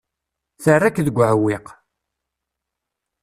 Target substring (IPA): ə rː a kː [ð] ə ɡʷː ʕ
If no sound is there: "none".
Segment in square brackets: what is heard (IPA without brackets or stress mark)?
ð